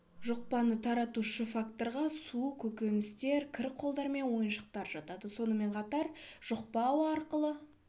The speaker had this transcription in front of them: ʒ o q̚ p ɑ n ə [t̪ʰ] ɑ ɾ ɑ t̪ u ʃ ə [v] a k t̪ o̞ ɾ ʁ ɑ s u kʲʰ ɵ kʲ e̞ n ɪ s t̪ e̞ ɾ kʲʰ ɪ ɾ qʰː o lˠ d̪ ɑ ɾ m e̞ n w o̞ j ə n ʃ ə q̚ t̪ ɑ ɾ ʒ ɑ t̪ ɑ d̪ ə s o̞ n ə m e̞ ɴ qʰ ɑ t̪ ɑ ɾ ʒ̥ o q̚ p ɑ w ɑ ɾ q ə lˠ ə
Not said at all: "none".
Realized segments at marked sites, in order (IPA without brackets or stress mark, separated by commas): t̪ʰ, f